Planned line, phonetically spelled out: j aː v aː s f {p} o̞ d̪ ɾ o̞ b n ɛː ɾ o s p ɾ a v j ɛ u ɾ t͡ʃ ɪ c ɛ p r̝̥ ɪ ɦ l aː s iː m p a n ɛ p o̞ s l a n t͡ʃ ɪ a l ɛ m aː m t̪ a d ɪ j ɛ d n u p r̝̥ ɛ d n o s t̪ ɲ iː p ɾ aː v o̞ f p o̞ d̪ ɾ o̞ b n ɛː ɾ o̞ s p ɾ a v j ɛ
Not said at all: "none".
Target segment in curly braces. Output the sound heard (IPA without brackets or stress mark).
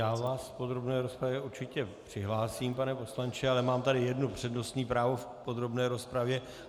p